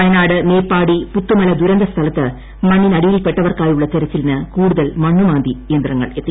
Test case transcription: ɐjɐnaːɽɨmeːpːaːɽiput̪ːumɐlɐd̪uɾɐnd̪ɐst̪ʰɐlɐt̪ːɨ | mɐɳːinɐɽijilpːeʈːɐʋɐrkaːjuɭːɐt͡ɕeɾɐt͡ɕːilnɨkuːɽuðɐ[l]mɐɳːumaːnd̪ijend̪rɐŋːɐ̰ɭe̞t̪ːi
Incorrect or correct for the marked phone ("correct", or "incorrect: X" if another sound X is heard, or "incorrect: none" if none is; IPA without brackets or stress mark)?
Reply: correct